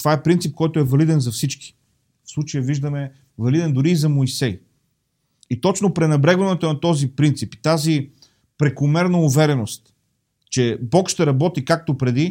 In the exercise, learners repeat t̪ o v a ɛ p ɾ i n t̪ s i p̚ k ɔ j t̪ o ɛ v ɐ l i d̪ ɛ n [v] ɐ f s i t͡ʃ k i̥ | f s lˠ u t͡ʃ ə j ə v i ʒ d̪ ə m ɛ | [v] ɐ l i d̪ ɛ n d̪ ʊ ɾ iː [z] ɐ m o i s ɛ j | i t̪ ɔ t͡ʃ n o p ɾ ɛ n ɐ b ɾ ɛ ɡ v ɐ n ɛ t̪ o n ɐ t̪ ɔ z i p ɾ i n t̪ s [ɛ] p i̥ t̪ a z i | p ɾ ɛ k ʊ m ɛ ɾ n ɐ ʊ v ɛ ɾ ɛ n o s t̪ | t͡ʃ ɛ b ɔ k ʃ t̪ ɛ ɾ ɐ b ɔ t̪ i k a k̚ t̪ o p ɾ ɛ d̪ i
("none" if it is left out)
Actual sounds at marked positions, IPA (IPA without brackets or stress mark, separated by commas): z, v, z, i